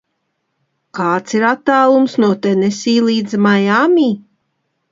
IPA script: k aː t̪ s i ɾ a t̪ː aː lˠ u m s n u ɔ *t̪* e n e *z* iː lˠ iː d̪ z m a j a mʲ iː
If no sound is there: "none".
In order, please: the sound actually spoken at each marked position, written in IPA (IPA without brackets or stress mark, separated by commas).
t̪, s